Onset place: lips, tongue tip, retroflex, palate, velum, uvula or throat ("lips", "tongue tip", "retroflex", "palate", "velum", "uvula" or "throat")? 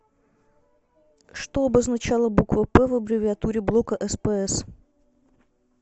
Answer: retroflex